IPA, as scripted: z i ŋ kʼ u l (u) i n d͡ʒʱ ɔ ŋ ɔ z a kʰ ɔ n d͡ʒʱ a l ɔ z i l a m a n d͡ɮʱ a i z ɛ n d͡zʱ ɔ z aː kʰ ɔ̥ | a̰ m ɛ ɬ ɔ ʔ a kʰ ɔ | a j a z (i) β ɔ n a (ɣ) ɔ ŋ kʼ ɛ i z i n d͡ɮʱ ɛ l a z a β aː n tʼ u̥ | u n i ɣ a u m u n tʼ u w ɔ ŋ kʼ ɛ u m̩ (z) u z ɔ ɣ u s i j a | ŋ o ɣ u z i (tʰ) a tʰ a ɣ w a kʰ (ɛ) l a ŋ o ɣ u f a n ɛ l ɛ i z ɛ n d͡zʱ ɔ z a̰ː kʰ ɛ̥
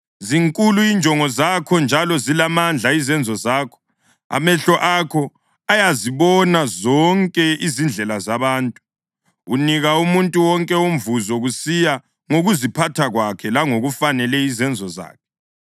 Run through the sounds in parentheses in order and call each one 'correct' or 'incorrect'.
correct, correct, incorrect, incorrect, incorrect, correct

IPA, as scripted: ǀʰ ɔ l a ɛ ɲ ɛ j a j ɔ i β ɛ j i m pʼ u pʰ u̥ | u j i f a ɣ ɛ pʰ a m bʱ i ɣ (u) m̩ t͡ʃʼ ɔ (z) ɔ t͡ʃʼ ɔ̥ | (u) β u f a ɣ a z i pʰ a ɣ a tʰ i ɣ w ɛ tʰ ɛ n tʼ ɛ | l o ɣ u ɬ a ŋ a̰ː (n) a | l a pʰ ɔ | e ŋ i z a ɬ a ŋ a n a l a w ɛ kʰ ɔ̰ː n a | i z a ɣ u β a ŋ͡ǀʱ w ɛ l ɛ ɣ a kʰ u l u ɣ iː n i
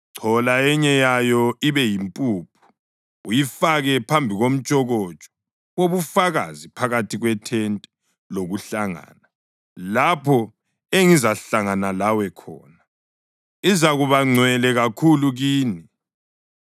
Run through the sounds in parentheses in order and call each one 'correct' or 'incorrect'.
incorrect, incorrect, incorrect, correct

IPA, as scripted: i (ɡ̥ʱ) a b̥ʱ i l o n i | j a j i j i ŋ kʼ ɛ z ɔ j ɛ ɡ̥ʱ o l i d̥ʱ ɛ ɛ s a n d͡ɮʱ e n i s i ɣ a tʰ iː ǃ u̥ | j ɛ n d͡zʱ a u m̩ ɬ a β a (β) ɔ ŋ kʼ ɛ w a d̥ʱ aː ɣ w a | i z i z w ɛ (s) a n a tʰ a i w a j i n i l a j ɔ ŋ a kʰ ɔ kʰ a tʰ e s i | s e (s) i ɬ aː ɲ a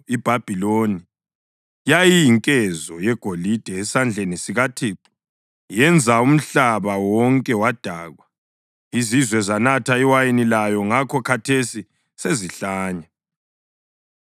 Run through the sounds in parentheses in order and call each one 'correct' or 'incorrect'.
incorrect, incorrect, incorrect, incorrect

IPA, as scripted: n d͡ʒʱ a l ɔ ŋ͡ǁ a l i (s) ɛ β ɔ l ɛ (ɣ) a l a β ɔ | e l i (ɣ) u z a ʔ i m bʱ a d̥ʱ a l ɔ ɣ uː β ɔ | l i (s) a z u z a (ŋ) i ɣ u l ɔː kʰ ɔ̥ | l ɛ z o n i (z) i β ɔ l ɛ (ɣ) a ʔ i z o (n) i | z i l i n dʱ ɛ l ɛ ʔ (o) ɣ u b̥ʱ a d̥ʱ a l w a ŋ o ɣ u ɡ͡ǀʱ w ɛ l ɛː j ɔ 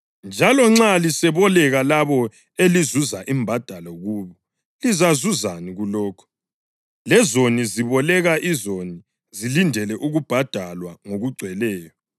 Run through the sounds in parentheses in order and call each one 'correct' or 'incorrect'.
correct, correct, incorrect, incorrect, incorrect, correct, correct, correct, incorrect

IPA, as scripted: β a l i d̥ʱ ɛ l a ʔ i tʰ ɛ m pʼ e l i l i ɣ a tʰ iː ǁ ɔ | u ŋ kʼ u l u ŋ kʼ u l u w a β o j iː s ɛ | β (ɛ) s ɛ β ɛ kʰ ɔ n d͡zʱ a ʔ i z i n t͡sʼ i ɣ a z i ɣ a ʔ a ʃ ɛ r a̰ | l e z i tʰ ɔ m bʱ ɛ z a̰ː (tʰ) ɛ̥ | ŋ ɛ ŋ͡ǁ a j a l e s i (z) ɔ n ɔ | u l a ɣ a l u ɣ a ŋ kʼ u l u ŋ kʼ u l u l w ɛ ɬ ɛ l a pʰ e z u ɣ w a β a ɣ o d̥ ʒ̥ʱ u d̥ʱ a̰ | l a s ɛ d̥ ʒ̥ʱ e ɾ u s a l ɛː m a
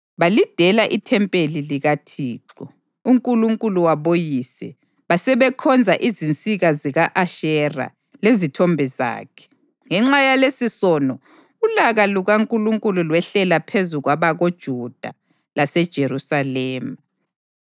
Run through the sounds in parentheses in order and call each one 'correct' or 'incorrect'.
incorrect, incorrect, incorrect

